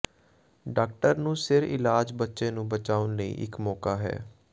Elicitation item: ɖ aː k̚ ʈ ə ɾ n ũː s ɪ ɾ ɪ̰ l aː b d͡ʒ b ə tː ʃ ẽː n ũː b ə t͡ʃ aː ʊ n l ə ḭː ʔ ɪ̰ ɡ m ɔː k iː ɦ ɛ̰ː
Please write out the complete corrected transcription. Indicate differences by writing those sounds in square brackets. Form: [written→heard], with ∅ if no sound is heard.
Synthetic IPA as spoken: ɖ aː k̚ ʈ ə ɾ n ũː s ɪ ɾ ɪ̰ l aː [b→∅] d͡ʒ b ə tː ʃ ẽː n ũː b ə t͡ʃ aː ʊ n l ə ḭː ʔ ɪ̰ [ɡ→k] m ɔː k [iː→aː] ɦ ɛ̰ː

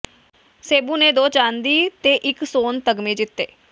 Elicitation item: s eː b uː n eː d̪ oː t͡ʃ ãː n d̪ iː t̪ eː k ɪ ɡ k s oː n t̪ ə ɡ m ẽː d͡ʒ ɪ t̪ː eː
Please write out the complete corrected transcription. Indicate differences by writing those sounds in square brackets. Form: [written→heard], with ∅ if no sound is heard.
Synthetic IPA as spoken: s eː b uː n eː d̪ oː t͡ʃ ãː n d̪ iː t̪ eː [k→ʔ] ɪ [ɡ→∅] k s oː n t̪ ə ɡ m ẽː d͡ʒ ɪ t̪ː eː

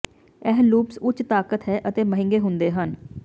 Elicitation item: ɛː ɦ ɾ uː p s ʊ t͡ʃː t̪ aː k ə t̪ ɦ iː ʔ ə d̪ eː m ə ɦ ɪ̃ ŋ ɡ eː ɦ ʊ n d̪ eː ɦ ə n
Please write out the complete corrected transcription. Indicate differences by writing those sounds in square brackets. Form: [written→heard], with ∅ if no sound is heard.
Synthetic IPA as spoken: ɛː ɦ [ɾ→l] uː p s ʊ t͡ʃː t̪ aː k ə t̪ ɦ [iː→ɛː] ʔ ə [d̪→t̪] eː m ə ɦ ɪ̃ ŋ ɡ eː ɦ ʊ n d̪ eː ɦ ə n

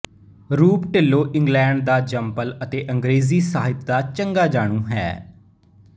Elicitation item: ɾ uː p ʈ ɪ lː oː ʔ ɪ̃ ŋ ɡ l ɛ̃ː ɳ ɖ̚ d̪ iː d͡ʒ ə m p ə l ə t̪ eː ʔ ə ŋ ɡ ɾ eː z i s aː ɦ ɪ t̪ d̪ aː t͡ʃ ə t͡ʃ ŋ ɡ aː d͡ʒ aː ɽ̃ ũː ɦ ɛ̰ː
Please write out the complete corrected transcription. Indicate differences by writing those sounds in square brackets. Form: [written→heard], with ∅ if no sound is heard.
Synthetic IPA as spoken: ɾ uː p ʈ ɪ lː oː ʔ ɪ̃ ŋ ɡ l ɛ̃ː ɳ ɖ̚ d̪ [iː→aː] d͡ʒ ə m p ə l ə t̪ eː ʔ ə ŋ ɡ ɾ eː z [i→iː] s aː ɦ ɪ t̪ d̪ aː t͡ʃ ə [t͡ʃ→∅] ŋ ɡ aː d͡ʒ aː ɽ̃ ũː ɦ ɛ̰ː

